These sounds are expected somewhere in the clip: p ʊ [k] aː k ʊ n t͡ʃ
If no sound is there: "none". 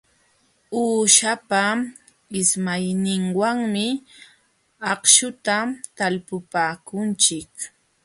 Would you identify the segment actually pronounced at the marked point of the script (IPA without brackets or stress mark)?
p